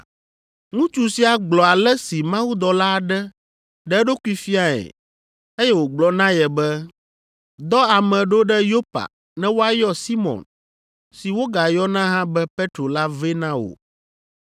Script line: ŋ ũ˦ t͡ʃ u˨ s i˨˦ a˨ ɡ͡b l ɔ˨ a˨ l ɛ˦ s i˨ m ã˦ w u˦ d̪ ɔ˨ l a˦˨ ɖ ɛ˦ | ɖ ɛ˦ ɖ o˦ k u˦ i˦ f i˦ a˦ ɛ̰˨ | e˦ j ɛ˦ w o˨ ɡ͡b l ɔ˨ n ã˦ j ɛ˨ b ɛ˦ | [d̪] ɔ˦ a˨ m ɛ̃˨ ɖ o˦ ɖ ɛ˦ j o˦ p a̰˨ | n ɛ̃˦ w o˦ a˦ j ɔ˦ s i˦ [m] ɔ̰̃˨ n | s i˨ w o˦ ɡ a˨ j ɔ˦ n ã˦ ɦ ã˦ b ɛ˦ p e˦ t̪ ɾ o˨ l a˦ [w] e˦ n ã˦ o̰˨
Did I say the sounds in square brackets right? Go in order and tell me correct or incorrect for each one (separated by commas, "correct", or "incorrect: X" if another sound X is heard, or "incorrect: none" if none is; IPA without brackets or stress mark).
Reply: correct, correct, incorrect: v